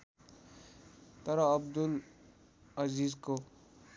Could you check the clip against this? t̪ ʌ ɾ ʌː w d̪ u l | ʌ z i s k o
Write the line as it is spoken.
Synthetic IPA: t̪ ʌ ɾ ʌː b d̪ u l | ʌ z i z k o